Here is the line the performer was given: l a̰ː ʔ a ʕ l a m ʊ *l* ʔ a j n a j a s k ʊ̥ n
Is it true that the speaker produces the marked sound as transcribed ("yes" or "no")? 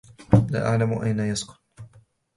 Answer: no